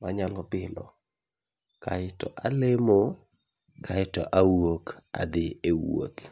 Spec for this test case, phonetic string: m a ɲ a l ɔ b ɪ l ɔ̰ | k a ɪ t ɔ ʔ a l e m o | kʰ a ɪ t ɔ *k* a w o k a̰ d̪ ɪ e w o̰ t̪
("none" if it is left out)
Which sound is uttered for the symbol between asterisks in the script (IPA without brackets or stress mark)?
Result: ʔ